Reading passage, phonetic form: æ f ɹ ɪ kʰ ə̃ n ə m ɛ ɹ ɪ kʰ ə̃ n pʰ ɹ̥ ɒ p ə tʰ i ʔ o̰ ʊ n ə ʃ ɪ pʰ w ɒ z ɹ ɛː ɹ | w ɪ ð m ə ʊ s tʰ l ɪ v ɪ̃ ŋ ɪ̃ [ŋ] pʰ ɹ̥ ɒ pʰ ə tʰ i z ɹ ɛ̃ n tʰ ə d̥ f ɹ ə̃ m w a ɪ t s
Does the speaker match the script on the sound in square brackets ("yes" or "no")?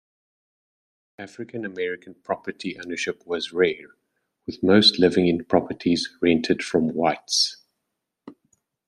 no